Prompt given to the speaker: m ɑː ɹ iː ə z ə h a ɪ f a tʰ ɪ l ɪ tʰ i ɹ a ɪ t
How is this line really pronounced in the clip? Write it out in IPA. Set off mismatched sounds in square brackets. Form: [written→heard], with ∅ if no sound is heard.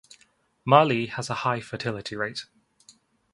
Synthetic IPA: m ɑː [ɹ→l] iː ə z ə h a ɪ f [a→ə] tʰ ɪ l ɪ tʰ i ɹ [a→e] ɪ t

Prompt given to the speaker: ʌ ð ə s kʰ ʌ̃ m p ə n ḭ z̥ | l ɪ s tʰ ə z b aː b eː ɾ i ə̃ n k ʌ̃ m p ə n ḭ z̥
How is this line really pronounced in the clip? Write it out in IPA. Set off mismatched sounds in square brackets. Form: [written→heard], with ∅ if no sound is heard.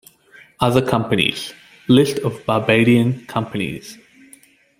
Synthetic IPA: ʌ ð ə [s→∅] kʰ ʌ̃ m p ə n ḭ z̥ | l ɪ s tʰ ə [z→v] b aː b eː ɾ i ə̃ n [k→kʰ] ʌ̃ m p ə n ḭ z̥

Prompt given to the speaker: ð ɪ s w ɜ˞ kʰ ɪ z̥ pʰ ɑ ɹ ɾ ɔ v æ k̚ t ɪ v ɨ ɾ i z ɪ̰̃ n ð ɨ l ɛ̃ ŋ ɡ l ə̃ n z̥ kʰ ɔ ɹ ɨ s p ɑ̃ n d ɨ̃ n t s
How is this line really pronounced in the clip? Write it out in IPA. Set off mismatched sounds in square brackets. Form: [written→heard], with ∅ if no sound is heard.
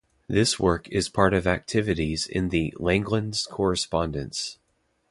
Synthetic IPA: ð ɪ s w ɜ˞ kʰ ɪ z̥ pʰ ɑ ɹ ɾ [ɔ→ʌ] v æ k̚ [t→tʰ] ɪ v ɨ ɾ i z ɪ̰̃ n ð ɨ l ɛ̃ ŋ ɡ l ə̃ n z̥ kʰ ɔ ɹ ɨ s p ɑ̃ n d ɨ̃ n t s

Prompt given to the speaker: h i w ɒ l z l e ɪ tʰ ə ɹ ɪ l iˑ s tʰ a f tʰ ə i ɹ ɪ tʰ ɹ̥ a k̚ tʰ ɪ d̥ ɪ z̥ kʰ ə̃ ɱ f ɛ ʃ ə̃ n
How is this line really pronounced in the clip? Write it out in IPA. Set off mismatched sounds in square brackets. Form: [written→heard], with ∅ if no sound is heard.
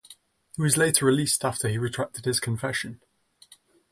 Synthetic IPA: h i w ɒ [l→∅] z l e ɪ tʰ ə ɹ ɪ l iˑ s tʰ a f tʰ ə i ɹ ɪ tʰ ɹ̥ a k̚ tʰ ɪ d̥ ɪ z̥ kʰ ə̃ ɱ f ɛ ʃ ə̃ n

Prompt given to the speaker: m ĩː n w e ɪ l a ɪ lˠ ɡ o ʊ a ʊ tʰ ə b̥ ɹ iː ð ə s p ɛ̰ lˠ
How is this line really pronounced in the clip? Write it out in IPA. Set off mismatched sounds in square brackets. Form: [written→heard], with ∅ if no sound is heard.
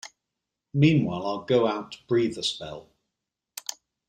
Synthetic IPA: m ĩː n w [e→a] ɪ l a ɪ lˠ ɡ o ʊ a ʊ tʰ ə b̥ ɹ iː ð ə s p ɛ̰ lˠ

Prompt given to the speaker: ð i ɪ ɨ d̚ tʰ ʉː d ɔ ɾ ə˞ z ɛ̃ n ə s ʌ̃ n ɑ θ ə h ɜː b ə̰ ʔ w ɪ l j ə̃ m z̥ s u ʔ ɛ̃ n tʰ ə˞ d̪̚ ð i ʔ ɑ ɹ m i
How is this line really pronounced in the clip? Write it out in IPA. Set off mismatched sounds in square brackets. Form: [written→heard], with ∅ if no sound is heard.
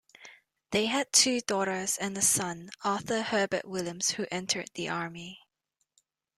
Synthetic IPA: ð [i→e] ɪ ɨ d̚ tʰ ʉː d ɔ ɾ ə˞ z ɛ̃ n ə s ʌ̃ n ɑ θ ə h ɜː b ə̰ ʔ w ɪ l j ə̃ m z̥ [s→h] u ʔ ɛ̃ n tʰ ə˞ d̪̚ ð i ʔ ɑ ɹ m i

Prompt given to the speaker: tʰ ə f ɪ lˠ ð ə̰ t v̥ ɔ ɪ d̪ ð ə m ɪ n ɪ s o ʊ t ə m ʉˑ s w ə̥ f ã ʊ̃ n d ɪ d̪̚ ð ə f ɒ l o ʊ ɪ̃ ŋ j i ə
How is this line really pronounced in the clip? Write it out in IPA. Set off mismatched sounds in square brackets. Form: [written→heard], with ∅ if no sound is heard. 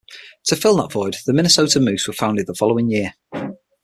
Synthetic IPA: tʰ ə f ɪ lˠ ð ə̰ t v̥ ɔ ɪ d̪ ð ə m ɪ n ɪ s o ʊ t ə m ʉˑ s w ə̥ f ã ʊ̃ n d ɪ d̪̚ ð ə f ɒ l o ʊ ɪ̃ ŋ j [i→ɪ] ə

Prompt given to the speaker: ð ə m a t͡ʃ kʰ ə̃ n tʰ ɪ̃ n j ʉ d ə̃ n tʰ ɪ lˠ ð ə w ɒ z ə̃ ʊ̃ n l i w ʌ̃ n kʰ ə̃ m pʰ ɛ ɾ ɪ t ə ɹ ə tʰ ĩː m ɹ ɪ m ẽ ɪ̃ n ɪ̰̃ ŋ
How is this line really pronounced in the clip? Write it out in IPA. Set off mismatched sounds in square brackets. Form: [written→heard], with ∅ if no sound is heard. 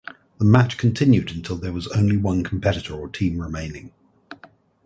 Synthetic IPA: ð ə m a t͡ʃ kʰ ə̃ n tʰ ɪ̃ n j ʉ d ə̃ n tʰ ɪ lˠ ð ə w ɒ z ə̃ ʊ̃ n l i w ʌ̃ n kʰ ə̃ m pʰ ɛ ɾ ɪ t ə ɹ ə tʰ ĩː m ɹ ɪ m ẽ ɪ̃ n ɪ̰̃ ŋ

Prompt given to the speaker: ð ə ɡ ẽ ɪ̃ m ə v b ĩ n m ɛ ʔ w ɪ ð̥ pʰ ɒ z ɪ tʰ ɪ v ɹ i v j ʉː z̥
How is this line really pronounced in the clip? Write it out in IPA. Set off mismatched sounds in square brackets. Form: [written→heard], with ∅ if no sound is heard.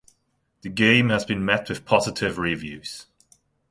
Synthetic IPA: ð ə ɡ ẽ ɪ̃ m ə [v→z] b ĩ n m ɛ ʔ w ɪ ð̥ pʰ ɒ z ɪ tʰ ɪ v ɹ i v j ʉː z̥

